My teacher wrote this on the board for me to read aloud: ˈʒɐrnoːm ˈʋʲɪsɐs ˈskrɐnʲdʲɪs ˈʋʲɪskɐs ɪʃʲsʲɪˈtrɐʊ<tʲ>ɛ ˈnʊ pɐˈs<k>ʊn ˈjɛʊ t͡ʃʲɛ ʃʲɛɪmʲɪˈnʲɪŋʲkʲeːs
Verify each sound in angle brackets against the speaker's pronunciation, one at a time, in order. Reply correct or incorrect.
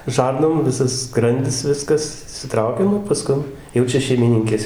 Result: incorrect, correct

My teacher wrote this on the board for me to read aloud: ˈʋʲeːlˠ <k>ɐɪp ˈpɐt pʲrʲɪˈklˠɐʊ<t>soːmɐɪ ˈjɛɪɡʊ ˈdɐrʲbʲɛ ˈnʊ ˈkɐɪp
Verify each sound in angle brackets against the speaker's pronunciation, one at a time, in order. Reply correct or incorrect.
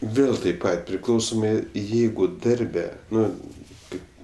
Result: incorrect, incorrect

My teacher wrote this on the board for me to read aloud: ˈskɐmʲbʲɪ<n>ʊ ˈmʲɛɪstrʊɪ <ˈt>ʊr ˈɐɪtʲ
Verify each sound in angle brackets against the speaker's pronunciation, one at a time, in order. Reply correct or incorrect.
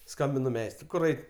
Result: correct, incorrect

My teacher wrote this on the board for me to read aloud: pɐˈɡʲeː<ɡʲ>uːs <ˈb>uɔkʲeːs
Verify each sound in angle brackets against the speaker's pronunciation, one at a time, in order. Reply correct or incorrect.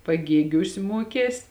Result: correct, incorrect

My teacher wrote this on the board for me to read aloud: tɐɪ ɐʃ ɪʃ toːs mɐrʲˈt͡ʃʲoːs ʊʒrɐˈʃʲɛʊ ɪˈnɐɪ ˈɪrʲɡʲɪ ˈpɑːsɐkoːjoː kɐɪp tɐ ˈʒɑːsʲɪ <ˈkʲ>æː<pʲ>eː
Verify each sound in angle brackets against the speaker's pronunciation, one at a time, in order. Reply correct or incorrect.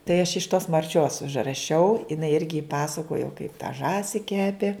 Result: correct, correct

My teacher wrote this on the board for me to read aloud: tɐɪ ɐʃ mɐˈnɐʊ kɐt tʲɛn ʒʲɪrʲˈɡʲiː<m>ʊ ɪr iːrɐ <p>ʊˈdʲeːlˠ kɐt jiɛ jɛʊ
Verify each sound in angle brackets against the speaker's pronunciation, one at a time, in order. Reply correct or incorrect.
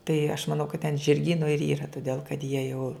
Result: incorrect, incorrect

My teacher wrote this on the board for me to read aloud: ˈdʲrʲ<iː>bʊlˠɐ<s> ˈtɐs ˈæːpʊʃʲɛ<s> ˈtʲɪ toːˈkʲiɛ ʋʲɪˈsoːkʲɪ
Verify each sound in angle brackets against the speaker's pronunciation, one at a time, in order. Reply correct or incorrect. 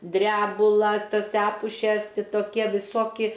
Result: incorrect, correct, correct

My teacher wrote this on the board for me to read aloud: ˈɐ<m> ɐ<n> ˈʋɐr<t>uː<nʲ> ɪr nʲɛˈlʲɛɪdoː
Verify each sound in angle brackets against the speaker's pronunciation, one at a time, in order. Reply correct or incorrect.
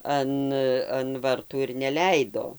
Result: incorrect, correct, correct, incorrect

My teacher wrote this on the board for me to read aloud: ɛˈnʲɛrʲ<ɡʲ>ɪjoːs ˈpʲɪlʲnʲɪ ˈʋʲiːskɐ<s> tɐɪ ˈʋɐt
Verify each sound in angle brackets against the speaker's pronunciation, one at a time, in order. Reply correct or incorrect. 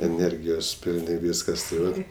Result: correct, correct

